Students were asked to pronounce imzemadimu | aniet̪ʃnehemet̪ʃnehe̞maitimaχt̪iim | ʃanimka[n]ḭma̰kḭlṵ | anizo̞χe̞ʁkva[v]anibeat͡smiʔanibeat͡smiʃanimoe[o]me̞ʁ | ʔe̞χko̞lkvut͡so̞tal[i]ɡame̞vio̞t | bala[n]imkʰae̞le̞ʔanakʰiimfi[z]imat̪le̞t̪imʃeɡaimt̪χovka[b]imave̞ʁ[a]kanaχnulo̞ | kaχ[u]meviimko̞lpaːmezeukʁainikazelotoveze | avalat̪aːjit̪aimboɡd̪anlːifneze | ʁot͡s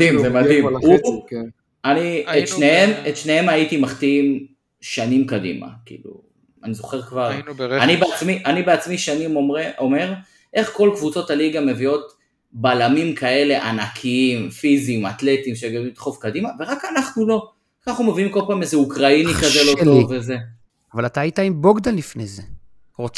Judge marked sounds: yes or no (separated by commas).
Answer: no, no, yes, yes, no, yes, no, yes, yes